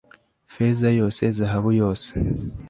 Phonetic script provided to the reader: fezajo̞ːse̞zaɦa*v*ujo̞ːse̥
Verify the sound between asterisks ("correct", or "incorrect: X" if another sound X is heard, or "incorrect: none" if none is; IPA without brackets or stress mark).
incorrect: β